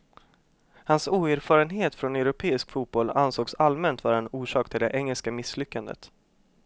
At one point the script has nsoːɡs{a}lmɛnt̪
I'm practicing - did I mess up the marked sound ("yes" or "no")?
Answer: no